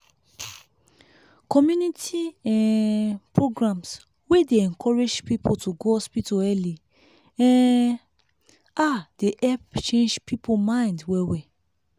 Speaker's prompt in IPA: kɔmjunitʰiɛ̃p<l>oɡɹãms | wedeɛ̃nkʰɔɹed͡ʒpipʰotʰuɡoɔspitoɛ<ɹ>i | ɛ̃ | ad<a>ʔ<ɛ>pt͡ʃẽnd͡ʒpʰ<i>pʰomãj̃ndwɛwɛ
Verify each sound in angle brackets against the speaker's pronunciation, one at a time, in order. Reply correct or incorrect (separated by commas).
incorrect, incorrect, incorrect, correct, correct